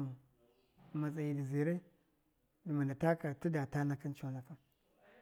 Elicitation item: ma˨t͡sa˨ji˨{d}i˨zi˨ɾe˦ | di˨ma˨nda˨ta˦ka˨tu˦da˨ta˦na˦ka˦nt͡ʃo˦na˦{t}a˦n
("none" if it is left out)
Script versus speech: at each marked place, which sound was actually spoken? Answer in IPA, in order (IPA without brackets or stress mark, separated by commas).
d, k